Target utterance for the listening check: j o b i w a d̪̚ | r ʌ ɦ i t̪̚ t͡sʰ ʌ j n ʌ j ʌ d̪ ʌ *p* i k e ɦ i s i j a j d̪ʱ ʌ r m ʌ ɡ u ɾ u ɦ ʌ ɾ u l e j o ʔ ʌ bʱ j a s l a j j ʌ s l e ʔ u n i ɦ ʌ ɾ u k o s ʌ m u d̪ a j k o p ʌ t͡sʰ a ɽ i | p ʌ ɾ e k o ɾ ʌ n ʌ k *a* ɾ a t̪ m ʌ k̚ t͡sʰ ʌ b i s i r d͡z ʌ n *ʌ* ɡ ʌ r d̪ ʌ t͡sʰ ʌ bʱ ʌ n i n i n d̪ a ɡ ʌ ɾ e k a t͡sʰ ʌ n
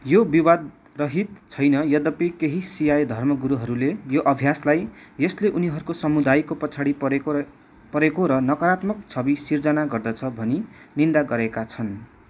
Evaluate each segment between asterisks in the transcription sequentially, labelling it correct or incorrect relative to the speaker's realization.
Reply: correct, incorrect: ʌ, incorrect: a

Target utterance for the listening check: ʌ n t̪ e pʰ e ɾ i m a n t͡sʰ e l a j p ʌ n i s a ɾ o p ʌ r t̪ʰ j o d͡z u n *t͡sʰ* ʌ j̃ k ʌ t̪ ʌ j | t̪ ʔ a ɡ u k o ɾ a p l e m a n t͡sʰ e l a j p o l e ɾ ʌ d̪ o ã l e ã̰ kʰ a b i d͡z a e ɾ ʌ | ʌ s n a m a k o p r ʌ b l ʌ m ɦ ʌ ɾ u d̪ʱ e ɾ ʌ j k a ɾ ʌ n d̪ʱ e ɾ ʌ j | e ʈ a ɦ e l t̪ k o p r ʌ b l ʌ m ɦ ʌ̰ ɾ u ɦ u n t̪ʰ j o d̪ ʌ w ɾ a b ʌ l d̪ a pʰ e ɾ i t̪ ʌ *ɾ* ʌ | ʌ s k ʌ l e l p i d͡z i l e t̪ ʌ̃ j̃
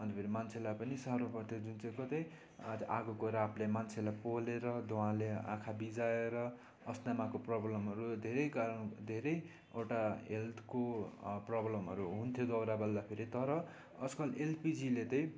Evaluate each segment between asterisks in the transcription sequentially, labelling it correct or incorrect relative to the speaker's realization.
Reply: incorrect: t͡s, correct

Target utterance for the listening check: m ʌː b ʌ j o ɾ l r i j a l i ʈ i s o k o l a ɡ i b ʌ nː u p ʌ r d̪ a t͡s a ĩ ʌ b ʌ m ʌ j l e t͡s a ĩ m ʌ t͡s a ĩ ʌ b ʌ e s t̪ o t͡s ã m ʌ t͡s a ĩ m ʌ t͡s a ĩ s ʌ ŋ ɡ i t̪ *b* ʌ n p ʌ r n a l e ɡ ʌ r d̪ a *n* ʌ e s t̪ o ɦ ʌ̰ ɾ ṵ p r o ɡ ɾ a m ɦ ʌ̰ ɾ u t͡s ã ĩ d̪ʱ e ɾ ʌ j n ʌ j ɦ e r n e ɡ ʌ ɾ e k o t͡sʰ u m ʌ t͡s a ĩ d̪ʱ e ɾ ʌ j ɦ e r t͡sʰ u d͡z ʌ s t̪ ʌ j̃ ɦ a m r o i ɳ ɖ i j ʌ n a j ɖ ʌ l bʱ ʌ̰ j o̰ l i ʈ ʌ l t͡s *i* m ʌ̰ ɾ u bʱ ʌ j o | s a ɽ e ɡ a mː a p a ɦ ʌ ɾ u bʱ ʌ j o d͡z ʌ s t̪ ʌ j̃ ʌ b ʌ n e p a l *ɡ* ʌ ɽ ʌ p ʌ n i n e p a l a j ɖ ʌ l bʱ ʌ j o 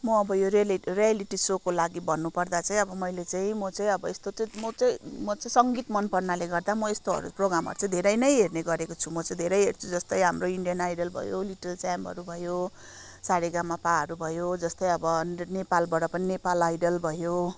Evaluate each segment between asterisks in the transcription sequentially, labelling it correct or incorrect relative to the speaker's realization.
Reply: incorrect: m, incorrect: m, incorrect: a, incorrect: b

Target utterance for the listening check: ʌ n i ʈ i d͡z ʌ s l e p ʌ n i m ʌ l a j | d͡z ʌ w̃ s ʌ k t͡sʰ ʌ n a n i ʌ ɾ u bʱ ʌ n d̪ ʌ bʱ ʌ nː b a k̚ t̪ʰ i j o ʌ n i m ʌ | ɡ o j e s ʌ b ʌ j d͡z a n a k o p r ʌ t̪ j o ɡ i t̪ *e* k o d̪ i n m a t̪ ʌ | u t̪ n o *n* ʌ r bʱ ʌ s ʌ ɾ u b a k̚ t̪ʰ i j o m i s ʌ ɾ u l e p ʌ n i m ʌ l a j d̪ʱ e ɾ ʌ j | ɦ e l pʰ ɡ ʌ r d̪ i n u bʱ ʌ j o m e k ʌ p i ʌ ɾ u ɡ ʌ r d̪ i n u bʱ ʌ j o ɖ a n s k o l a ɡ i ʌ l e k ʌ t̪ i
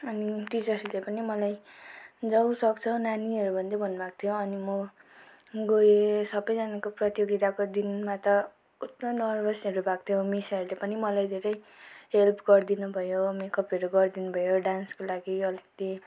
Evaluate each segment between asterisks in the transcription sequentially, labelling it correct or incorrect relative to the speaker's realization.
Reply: incorrect: a, correct

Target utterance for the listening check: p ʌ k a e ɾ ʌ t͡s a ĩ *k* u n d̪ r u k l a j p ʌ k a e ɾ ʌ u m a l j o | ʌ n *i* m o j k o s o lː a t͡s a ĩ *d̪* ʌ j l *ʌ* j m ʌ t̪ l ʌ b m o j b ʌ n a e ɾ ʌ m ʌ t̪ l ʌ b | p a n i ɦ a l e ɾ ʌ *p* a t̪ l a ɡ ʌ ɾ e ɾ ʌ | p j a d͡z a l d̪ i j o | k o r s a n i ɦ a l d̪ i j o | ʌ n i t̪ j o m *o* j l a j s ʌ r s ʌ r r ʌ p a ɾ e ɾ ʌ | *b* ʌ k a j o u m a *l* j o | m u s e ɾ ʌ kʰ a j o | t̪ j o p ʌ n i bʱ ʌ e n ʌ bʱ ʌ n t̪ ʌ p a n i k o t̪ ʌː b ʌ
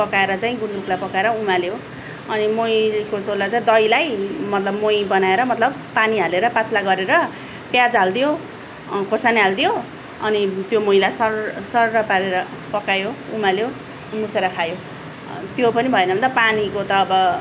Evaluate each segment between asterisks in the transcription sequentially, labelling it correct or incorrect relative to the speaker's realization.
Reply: incorrect: ɡ, correct, correct, incorrect: a, correct, correct, incorrect: p, correct

